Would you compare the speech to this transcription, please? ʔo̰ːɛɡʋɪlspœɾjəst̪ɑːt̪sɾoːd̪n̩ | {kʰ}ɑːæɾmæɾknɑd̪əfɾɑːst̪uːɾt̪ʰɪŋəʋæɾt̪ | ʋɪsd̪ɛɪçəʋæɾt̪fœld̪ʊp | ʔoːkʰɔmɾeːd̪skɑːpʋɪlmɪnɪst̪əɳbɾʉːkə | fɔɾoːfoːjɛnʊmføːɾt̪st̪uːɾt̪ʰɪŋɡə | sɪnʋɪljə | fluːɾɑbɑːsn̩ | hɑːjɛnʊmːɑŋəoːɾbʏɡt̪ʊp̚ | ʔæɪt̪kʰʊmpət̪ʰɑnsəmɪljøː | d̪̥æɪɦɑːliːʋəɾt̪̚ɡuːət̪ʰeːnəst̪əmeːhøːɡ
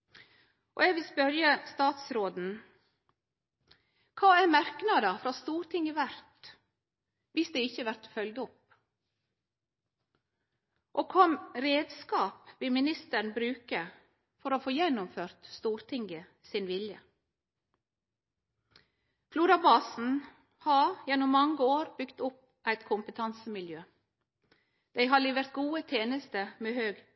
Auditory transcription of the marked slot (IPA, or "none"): kʰ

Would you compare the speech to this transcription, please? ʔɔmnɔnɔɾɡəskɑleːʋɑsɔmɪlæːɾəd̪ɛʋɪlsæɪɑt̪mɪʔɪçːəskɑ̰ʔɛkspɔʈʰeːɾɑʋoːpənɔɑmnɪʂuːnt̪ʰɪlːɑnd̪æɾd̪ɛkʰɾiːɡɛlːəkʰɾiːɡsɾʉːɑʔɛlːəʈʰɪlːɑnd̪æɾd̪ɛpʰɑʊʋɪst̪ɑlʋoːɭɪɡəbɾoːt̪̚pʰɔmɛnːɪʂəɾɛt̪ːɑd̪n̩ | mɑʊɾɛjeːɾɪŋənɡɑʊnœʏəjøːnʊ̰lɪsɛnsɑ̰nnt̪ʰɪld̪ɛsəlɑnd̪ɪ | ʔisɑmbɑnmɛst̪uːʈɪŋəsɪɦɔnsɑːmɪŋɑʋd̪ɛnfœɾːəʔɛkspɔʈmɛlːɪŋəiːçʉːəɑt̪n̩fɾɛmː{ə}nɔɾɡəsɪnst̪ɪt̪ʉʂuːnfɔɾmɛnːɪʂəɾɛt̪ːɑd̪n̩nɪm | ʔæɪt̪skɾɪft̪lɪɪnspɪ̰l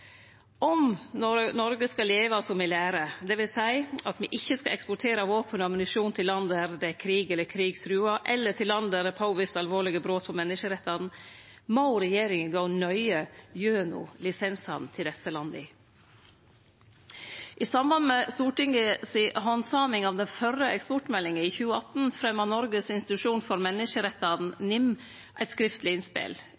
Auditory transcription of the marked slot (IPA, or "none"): ɑ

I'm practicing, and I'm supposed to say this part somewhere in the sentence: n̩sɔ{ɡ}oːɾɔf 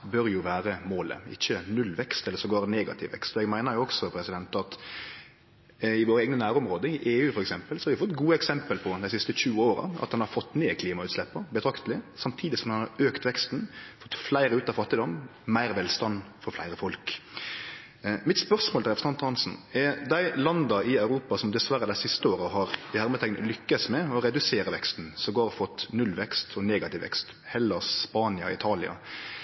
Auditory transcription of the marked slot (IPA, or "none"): ɡ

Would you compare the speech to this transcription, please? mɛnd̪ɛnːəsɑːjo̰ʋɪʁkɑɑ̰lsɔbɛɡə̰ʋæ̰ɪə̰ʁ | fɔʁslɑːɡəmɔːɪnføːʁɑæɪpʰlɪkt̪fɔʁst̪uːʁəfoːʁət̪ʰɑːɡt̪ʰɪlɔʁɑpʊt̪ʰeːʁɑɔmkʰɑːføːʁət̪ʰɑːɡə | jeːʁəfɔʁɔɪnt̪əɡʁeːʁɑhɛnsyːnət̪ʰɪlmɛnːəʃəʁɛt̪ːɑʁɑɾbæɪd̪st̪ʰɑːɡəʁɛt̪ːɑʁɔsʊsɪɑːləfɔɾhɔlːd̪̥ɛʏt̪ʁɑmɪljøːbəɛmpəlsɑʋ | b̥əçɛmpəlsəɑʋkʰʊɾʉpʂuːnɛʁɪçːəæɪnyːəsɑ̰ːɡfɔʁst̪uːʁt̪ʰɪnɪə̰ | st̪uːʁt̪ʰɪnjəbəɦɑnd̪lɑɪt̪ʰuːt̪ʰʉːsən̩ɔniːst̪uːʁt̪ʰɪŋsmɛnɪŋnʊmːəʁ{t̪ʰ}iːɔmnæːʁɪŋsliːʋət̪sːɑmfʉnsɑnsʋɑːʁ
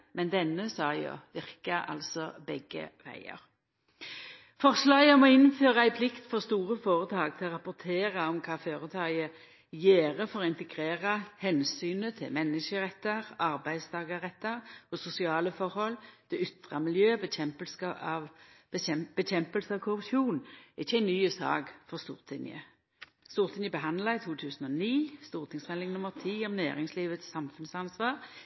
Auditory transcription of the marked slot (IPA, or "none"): t̪ʰ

